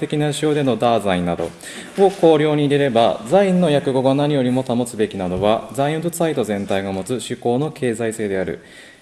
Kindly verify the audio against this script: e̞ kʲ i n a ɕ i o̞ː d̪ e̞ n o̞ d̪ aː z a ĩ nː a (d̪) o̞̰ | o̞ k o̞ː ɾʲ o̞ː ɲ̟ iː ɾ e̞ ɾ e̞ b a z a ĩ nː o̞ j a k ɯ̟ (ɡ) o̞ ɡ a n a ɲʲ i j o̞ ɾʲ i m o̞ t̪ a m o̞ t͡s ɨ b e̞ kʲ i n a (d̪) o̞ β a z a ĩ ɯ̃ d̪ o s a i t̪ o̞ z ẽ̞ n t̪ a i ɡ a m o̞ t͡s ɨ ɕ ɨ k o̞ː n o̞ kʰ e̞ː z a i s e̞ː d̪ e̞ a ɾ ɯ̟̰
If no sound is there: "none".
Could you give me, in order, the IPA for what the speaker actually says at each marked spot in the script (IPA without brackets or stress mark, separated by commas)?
d̪, ɡ, d̪